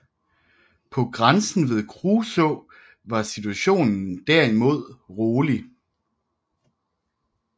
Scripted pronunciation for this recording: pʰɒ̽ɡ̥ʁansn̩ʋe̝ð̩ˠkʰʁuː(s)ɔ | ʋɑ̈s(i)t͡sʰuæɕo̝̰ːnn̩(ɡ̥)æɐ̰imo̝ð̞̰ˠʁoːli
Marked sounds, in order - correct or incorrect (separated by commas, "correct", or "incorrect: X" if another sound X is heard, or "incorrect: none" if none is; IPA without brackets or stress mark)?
correct, correct, incorrect: d̥